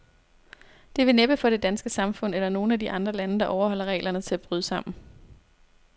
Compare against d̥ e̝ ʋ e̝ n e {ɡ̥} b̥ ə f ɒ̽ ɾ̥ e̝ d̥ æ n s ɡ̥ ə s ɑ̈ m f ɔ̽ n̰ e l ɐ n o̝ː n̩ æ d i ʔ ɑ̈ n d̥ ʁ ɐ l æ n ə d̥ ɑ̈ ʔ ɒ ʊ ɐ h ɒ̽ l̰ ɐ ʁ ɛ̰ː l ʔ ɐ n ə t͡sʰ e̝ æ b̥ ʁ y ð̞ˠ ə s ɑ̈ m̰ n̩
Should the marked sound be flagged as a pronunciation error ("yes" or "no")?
yes